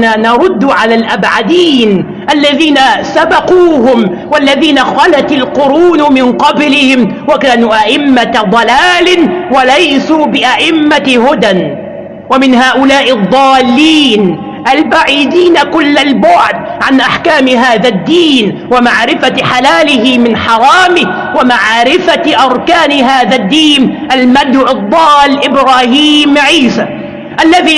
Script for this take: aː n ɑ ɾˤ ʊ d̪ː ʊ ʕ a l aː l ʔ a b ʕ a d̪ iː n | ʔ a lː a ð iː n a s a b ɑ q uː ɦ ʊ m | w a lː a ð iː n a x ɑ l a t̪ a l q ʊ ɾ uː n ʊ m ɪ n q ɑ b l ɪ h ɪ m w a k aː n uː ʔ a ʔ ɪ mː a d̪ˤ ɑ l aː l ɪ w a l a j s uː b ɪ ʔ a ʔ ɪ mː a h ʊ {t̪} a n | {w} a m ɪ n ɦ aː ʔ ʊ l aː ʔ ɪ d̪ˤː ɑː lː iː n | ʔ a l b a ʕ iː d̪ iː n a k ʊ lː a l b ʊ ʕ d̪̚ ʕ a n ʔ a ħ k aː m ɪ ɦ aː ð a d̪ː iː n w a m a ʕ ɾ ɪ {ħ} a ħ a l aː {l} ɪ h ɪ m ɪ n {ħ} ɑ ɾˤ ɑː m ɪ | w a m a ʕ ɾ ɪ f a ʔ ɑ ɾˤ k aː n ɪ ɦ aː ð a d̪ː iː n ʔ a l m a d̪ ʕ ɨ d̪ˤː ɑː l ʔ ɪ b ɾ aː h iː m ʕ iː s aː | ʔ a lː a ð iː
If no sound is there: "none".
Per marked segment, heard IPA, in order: d̪, w, f, l, ħ

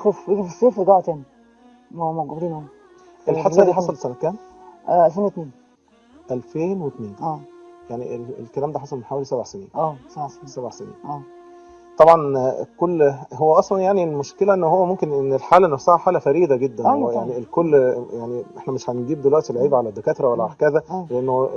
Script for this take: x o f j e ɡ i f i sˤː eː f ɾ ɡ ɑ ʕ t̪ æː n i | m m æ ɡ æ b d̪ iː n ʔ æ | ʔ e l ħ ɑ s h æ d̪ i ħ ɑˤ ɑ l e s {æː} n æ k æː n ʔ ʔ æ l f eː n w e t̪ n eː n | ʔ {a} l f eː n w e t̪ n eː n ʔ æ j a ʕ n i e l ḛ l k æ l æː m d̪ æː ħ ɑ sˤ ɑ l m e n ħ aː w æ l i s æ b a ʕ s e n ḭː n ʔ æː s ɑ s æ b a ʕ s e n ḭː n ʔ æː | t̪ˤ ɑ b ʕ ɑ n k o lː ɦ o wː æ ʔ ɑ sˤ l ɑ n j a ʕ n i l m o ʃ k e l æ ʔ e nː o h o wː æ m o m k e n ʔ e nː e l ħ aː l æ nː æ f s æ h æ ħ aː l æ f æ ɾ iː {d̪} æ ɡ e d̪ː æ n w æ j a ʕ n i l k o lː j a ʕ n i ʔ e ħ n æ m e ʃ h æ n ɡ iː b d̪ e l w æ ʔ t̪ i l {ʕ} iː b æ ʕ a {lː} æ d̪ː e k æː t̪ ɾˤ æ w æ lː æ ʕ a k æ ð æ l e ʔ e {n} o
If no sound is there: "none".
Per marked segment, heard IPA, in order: æ, æ, d̪, ʕ, l, nː

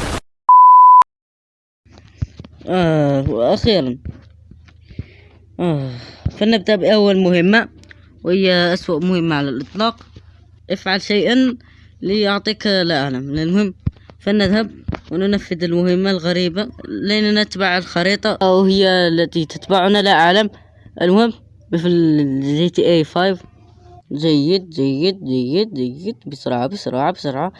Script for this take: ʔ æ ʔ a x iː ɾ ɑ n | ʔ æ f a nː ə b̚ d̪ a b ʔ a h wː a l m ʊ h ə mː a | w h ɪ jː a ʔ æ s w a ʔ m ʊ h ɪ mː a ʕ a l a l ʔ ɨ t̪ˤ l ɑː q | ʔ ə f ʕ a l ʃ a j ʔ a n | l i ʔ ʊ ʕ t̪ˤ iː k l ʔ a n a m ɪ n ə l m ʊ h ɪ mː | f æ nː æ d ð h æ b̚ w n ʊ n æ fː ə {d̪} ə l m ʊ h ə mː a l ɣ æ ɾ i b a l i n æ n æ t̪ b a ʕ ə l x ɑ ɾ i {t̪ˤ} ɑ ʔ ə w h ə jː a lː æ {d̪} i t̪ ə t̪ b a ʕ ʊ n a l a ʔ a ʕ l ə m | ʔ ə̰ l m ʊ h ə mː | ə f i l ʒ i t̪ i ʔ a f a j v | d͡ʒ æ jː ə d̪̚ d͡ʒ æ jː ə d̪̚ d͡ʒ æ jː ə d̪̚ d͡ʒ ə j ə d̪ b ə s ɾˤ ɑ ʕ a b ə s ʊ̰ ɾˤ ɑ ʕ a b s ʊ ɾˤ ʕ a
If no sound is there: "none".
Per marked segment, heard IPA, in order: d̪, t̪ˤ, t̪

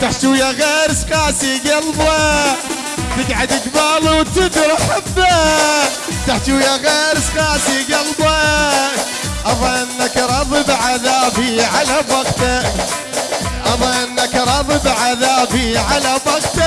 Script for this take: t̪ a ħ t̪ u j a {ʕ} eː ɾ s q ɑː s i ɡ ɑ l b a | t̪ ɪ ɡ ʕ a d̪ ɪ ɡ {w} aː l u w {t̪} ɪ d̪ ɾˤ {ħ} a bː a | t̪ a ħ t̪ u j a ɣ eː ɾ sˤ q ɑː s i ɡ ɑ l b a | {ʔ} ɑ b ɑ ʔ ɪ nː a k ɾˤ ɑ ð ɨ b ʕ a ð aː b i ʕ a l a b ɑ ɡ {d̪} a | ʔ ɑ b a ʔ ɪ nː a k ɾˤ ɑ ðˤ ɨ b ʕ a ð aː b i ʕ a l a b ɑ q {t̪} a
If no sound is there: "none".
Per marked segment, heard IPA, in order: ɣ, b, t̪, ħ, ʔ, t̪, t̪

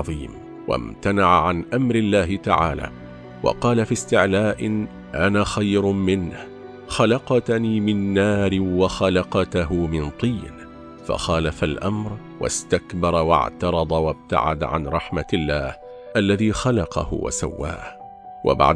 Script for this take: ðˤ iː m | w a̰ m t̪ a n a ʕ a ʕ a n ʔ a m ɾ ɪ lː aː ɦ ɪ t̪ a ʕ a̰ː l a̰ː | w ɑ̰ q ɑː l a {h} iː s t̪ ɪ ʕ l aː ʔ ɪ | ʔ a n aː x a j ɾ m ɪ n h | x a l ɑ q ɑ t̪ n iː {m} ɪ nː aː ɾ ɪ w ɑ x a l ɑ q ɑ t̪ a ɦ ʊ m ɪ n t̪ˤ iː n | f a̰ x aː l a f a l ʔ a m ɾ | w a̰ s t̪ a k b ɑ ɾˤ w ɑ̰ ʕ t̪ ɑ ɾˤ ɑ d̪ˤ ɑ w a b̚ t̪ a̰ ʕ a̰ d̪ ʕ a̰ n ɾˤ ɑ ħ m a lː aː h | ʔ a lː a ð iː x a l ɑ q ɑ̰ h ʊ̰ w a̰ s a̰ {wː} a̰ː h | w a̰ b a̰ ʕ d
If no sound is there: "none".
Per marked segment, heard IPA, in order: f, m, wː

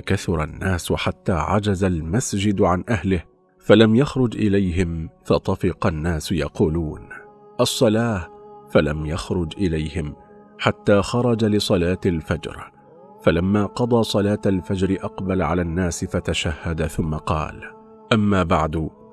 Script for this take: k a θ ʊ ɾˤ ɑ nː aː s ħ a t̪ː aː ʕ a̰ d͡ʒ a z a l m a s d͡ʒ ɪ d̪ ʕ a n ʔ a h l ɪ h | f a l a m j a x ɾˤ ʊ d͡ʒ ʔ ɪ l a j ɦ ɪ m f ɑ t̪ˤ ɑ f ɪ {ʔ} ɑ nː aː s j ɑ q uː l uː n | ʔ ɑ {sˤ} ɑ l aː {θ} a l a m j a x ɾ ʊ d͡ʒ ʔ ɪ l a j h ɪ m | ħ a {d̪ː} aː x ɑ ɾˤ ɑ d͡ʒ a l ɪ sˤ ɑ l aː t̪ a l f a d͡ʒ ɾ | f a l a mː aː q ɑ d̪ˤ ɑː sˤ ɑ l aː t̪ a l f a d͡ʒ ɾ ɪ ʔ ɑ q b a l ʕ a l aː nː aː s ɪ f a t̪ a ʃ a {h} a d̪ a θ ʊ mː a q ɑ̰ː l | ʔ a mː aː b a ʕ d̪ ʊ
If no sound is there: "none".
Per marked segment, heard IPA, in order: q, sˤː, f, t̪ː, hː

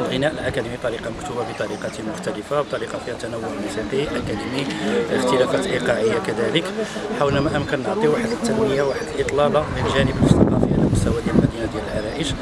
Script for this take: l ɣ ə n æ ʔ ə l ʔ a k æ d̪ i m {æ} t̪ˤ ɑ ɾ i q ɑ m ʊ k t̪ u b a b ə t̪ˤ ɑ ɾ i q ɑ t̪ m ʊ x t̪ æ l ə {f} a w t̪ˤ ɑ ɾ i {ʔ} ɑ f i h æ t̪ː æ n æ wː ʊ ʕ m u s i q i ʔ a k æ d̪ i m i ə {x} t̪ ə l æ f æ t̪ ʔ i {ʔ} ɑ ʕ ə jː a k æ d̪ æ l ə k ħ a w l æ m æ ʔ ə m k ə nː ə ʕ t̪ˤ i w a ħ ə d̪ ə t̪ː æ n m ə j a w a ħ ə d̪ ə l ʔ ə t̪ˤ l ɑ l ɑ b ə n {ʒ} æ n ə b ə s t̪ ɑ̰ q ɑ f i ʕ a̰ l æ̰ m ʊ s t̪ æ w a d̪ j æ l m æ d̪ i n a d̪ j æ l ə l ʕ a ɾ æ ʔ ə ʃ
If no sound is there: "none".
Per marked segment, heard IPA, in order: i, f, q, x, q, ʒ

